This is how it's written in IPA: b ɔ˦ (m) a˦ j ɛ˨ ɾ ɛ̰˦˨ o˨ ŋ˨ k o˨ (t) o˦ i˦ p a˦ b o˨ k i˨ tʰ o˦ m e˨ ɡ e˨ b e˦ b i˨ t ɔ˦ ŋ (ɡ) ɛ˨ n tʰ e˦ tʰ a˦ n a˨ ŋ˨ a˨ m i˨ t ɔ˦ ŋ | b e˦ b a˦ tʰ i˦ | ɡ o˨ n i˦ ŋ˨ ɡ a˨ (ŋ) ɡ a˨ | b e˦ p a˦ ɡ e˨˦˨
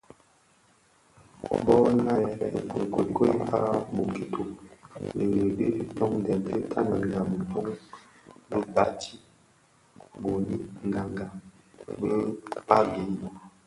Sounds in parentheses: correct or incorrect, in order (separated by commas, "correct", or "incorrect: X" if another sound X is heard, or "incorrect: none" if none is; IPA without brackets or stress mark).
incorrect: n, incorrect: k, incorrect: d, correct